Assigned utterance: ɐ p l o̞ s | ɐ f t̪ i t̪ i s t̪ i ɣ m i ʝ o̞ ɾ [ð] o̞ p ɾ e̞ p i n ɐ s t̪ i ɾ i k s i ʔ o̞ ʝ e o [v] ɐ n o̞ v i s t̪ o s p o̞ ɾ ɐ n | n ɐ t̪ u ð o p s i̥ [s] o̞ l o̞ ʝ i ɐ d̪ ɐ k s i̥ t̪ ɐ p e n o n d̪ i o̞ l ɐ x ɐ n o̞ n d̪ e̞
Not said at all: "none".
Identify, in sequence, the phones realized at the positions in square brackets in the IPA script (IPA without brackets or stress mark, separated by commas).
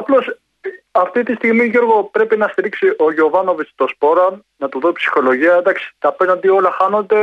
ɣ, v, x